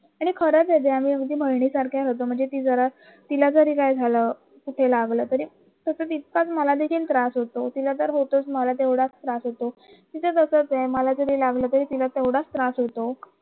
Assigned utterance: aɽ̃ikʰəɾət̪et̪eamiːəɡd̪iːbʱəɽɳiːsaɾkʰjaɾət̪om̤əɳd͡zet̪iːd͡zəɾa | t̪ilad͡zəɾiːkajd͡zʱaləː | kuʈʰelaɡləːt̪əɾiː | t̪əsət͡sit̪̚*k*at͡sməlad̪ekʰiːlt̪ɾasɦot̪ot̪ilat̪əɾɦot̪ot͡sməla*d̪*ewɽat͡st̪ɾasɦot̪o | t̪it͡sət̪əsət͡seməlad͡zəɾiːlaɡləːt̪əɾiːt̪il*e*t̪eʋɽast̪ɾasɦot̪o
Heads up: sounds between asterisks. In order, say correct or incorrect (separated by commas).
correct, incorrect, incorrect